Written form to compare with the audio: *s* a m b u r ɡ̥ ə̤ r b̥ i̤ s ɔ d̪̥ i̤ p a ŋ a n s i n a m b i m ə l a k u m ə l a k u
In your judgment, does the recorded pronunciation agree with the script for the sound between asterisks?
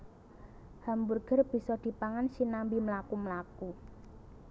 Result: no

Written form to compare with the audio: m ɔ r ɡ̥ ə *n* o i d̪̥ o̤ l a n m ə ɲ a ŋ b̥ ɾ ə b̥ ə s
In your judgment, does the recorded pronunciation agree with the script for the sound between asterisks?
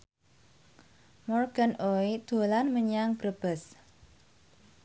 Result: yes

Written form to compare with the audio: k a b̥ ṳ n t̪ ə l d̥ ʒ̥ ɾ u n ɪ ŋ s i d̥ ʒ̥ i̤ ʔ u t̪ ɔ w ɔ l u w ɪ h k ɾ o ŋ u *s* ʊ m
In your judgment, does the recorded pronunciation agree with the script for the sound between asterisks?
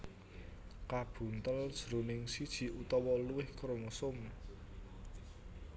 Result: yes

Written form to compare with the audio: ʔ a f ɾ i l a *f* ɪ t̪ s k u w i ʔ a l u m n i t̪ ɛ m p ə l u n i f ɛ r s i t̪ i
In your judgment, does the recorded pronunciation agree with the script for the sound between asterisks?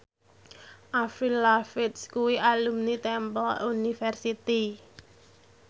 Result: yes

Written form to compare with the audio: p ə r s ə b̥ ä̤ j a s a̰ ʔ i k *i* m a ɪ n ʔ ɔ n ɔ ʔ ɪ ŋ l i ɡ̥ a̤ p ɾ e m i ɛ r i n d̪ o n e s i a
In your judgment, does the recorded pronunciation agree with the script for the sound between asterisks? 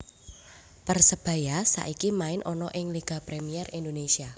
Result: yes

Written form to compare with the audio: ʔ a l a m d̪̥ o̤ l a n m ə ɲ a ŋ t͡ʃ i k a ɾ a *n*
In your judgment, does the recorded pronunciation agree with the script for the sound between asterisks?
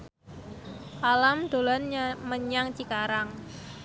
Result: no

